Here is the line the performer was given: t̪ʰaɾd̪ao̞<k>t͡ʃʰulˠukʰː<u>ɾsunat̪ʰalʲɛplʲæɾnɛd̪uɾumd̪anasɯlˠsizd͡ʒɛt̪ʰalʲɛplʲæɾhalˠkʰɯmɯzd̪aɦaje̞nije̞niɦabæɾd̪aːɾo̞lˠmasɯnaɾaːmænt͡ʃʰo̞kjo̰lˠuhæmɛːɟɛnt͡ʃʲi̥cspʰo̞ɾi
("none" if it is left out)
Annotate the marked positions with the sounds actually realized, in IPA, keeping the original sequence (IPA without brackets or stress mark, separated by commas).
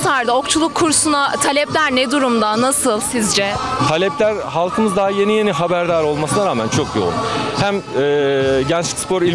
k, u